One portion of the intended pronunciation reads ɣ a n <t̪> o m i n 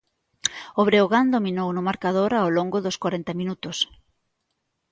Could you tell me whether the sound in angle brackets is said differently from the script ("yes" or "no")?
yes